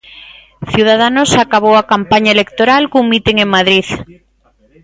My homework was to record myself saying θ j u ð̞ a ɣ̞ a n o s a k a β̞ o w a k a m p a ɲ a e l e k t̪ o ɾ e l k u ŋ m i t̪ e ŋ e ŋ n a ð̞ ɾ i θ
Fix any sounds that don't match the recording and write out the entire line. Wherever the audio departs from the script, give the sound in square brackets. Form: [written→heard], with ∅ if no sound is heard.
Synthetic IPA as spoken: θ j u ð̞ a [ɣ̞→ð̞] a n o s a k a β̞ o w a k a m p a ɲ a e l e k t̪ o ɾ [e→a] l k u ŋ m i t̪ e ŋ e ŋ [n→m] a ð̞ ɾ i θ